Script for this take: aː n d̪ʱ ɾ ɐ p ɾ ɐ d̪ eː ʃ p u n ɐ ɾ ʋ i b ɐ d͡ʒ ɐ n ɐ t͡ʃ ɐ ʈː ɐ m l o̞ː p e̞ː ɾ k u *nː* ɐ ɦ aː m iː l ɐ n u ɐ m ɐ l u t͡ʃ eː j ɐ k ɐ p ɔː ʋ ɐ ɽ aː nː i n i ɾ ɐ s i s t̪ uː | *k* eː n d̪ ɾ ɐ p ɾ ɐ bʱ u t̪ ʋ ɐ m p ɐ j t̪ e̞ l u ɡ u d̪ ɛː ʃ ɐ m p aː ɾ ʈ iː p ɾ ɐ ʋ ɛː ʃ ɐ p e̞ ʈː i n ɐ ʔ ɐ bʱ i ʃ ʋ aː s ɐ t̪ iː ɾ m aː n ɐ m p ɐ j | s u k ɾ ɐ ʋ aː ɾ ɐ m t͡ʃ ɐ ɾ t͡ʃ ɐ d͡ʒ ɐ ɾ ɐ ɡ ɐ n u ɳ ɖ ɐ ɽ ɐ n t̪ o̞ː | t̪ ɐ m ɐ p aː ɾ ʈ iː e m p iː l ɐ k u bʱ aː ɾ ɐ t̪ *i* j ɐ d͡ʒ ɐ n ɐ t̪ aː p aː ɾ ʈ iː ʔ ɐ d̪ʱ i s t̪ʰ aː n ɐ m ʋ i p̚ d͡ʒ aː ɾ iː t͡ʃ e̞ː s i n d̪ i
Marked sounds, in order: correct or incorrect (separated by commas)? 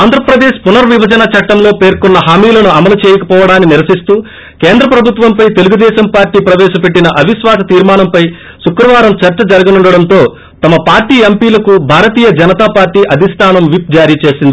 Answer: correct, correct, incorrect